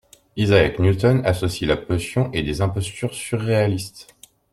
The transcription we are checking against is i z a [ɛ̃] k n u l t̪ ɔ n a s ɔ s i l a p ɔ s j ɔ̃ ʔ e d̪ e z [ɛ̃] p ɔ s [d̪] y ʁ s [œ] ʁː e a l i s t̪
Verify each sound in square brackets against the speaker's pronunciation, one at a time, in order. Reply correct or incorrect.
incorrect, correct, incorrect, incorrect

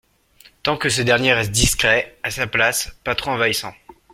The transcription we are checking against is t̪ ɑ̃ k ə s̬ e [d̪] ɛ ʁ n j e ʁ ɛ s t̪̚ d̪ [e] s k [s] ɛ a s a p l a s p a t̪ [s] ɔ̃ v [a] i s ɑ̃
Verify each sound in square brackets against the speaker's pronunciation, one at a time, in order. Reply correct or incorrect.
correct, incorrect, incorrect, incorrect, correct

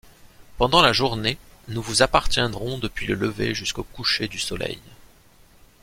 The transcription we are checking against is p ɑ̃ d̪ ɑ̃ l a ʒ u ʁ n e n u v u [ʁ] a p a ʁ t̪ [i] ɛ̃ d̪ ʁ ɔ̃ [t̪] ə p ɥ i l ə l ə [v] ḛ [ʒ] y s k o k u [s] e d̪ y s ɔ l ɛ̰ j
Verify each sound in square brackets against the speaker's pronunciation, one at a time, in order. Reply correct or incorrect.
incorrect, incorrect, incorrect, correct, correct, incorrect

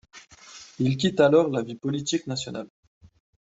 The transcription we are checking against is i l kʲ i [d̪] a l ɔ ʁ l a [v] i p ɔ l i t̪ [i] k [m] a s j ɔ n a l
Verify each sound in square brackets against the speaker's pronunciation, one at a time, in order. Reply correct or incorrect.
incorrect, correct, correct, incorrect

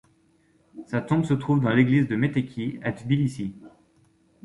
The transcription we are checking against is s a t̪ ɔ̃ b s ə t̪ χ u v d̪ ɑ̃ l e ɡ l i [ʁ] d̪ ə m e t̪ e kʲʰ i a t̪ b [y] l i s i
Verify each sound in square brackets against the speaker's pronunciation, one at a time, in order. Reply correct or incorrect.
incorrect, incorrect

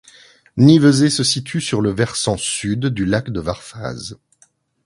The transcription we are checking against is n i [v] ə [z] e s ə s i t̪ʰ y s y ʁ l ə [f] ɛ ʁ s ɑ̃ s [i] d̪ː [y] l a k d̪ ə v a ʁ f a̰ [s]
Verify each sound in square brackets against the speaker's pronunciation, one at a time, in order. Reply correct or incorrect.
correct, correct, incorrect, incorrect, correct, incorrect

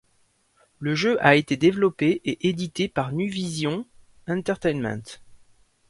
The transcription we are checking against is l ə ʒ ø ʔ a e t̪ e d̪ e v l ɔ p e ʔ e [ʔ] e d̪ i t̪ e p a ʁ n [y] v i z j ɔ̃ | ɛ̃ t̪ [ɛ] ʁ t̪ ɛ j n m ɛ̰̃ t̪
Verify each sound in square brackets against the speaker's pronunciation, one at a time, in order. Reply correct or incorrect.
correct, correct, correct

